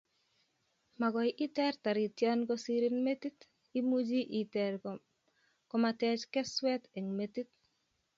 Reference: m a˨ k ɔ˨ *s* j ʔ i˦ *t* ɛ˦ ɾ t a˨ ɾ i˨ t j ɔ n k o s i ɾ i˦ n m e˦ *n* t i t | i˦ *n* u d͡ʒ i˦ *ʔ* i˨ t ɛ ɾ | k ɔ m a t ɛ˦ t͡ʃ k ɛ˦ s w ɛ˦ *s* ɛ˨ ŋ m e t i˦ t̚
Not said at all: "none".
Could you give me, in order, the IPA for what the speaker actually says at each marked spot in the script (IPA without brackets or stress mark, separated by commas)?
none, t, none, m, ʔ, t